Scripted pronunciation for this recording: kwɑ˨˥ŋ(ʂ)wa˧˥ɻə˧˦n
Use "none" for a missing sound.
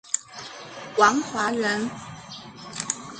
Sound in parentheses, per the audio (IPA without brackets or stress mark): x